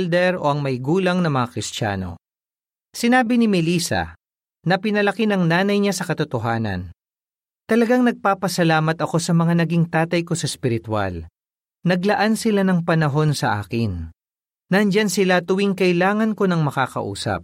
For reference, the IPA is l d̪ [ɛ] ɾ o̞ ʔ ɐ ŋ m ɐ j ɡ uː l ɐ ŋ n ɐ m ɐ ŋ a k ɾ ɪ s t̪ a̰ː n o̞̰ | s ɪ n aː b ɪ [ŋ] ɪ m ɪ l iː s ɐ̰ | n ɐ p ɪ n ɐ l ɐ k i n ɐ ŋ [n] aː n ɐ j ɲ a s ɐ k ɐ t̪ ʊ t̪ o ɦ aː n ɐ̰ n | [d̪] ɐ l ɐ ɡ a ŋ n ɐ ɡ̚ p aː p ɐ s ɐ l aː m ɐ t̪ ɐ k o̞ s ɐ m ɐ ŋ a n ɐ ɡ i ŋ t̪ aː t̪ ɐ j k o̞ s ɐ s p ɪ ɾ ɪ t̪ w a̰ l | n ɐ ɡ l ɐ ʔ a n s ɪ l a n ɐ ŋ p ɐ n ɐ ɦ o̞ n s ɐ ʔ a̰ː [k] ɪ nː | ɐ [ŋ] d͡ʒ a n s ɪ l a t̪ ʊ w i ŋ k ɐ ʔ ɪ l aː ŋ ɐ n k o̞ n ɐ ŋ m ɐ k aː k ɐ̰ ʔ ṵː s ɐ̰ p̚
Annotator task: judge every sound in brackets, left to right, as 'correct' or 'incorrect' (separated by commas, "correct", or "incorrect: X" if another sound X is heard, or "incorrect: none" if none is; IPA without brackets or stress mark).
correct, incorrect: n, correct, incorrect: t̪, correct, incorrect: n